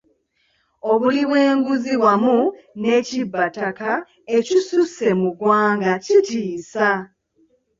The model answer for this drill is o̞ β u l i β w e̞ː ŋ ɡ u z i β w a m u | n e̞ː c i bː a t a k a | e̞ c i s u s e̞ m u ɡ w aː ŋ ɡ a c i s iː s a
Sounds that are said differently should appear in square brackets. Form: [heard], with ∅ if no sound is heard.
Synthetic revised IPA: o̞ β u l i β w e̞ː ŋ ɡ u z i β w a m u | n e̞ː c i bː a t a k a | e̞ c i s u s e̞ m u ɡ w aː ŋ ɡ a c i [t] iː s a